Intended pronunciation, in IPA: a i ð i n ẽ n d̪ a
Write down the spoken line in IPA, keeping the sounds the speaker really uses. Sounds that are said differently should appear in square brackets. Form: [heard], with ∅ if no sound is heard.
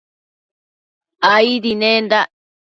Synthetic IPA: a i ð i n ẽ n d̪ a